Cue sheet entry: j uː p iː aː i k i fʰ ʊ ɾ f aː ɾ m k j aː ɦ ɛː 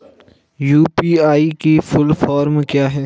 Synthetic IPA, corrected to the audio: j uː p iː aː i k i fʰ ʊ l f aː ɾ m k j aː ɦ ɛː